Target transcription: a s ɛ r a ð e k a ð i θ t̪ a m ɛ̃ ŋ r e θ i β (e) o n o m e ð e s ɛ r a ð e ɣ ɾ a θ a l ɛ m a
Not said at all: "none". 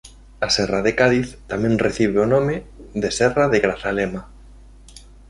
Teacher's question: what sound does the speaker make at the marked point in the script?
e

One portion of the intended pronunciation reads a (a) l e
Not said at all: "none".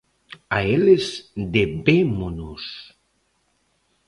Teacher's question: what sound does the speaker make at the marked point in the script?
e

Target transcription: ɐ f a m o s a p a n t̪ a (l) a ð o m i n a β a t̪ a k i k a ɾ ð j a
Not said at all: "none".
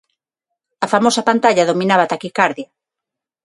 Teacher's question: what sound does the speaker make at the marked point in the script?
ʎ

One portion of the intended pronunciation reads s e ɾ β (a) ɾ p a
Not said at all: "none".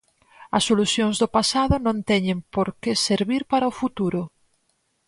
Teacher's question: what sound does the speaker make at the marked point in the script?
i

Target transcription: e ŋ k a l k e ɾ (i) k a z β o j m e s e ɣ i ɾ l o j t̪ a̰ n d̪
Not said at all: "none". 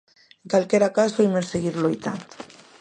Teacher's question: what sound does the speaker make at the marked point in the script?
a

